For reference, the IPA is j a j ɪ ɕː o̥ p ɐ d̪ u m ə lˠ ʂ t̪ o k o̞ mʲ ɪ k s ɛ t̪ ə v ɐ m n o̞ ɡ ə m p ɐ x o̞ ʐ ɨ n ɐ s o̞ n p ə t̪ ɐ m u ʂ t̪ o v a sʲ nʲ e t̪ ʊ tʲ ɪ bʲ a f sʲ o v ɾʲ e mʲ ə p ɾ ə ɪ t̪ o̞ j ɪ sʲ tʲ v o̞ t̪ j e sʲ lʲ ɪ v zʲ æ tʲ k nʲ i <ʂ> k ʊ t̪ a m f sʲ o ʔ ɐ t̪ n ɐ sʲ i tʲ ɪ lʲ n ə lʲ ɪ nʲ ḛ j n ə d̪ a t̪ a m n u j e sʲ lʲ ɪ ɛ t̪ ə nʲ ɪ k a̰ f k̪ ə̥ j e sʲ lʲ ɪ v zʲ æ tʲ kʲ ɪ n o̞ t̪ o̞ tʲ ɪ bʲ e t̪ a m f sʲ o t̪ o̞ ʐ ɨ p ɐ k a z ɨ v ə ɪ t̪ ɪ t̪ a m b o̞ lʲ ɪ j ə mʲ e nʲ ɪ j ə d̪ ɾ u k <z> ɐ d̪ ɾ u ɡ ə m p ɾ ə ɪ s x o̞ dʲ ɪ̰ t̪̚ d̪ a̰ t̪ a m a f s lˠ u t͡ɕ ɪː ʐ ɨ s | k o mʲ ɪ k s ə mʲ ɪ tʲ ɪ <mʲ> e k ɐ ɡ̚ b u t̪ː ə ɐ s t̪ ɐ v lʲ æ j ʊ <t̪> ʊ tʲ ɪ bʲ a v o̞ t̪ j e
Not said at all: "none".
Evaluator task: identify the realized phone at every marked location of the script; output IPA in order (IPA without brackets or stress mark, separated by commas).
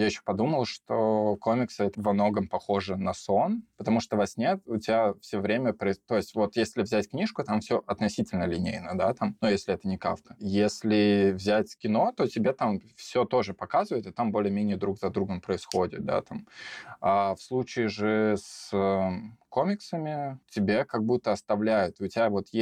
ʂ, z, bʲ, t̪